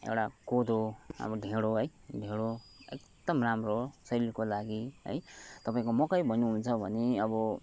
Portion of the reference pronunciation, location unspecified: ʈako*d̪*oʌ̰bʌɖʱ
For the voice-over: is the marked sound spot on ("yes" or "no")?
yes